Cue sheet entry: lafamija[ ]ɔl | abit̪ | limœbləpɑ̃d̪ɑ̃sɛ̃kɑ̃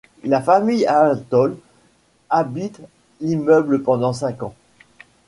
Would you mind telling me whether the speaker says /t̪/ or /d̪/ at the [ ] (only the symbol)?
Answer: t̪